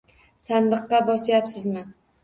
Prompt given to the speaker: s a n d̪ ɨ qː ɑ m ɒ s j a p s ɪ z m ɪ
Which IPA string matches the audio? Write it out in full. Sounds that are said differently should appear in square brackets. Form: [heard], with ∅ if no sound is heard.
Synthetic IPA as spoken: s a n d̪ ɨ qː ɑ [b] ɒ s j a p s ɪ z m ɪ